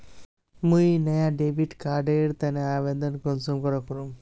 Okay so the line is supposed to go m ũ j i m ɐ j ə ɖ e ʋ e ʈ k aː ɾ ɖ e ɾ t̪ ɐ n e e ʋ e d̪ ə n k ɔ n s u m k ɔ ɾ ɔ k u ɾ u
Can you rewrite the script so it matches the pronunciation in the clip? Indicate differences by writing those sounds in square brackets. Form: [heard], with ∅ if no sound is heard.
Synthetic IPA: m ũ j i [n] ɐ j [a] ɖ e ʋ [i] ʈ k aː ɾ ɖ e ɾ t̪ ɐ n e [a] ʋ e d̪ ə n k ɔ n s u m k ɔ ɾ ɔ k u ɾ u